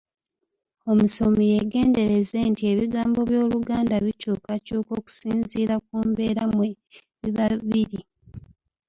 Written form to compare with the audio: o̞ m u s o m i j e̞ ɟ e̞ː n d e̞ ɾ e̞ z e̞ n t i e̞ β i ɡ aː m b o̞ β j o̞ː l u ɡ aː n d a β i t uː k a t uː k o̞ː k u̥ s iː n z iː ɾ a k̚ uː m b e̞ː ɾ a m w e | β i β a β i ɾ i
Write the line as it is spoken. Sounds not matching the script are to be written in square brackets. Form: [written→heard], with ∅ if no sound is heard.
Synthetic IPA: o̞ m u s o m i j e̞ [ɟ→ɡ] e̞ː n d e̞ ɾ e̞ z e̞ n t i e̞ β i ɡ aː m b o̞ β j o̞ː l u ɡ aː n d a β i [t→c] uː k a [t→c] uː k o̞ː k u̥ s iː n z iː ɾ a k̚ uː m b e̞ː ɾ a m w e | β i β a β i ɾ i